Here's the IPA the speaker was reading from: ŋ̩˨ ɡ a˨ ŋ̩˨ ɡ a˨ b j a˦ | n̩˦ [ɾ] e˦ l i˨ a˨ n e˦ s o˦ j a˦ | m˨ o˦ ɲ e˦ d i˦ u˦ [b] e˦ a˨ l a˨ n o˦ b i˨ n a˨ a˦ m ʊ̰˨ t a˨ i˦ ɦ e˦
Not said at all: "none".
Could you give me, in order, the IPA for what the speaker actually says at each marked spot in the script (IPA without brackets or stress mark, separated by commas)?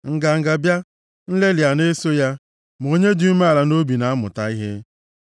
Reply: l, m